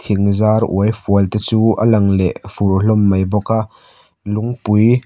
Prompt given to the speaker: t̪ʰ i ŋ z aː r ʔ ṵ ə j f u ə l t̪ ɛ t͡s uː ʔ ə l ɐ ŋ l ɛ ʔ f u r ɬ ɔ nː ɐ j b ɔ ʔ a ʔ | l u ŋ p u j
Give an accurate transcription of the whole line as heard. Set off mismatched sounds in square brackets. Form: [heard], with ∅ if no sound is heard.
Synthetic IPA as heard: t̪ʰ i ŋ z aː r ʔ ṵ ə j f u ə l t̪ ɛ t͡s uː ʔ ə l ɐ ŋ l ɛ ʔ f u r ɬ ɔ [mː] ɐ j b ɔ [k] a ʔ | l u ŋ p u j